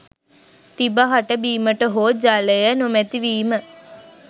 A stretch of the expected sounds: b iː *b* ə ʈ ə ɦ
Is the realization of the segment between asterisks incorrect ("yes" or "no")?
yes